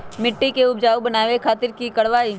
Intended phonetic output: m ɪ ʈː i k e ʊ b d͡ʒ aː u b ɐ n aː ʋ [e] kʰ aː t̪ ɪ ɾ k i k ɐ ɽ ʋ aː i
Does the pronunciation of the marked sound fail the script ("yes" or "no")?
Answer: no